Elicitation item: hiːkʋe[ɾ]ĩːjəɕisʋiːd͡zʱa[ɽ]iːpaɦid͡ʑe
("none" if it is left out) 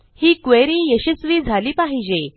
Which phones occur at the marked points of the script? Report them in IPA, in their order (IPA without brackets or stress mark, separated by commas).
ɾ, l